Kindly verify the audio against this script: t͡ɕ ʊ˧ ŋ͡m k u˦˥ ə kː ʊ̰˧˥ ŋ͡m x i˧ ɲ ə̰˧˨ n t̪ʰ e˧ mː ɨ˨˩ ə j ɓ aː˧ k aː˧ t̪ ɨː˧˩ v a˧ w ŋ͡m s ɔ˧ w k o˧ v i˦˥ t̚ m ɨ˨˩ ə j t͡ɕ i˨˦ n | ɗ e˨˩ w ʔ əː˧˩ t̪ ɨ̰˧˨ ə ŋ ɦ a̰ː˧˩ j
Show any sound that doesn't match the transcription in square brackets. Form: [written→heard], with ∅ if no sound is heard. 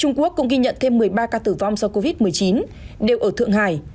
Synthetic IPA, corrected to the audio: t͡ɕ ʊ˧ ŋ͡m k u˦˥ ə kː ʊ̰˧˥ ŋ͡m [x→ɣ] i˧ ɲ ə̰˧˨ n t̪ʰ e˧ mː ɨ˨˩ ə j ɓ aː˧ k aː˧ t̪ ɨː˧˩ v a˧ w ŋ͡m s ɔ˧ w k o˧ v i˦˥ t̚ m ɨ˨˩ ə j t͡ɕ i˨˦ n | ɗ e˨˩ w ʔ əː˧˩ t̪ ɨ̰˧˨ ə ŋ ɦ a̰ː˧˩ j